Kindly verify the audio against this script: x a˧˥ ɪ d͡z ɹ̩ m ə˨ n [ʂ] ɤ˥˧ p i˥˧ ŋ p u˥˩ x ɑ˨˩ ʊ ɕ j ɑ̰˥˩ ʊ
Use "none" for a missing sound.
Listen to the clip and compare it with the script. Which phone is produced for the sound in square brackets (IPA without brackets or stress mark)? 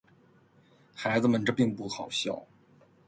ʈ͡ʂ